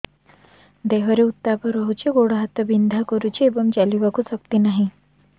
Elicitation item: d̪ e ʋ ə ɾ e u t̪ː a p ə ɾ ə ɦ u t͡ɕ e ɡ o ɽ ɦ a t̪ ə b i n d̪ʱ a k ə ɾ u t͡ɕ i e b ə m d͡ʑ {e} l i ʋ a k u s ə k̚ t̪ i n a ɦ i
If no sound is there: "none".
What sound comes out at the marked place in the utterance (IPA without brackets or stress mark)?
a